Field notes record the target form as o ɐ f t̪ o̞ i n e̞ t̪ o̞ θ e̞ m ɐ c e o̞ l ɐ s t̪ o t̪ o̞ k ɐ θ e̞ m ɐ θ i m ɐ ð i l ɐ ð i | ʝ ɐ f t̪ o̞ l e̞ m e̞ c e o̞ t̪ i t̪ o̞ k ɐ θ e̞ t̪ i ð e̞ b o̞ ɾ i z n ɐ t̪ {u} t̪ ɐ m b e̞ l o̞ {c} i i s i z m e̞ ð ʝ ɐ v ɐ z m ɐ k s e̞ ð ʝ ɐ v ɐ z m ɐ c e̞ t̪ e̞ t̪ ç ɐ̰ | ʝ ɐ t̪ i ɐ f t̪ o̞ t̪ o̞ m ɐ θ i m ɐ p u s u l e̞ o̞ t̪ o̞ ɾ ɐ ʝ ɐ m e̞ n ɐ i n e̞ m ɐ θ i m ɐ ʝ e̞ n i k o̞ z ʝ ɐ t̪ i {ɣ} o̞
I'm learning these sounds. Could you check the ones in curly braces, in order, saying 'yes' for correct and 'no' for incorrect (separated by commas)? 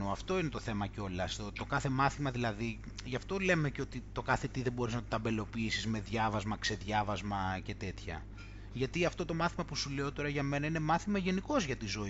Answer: no, no, no